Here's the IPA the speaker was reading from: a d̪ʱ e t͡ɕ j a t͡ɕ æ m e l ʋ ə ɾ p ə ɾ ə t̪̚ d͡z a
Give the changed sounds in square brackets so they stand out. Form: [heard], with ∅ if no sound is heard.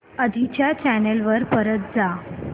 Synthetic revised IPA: [ə] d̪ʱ [i] t͡ɕ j a t͡ɕ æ [n] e l ʋ ə ɾ p ə ɾ ə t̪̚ d͡z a